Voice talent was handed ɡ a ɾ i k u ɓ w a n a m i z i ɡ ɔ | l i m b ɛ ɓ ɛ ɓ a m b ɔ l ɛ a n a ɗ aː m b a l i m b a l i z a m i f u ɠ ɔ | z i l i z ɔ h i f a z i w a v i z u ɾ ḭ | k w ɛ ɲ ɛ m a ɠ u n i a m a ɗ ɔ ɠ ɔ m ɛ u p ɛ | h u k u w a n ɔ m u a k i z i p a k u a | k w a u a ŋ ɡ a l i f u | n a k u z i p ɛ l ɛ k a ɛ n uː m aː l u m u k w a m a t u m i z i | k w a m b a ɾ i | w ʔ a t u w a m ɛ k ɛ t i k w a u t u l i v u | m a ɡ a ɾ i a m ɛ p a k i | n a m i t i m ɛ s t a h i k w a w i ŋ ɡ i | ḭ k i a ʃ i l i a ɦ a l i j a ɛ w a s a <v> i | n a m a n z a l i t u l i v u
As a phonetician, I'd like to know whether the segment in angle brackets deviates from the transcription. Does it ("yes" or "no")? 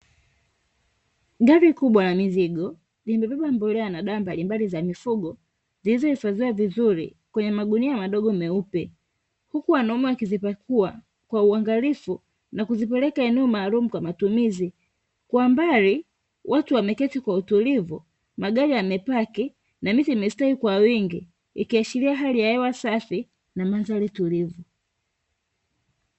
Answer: yes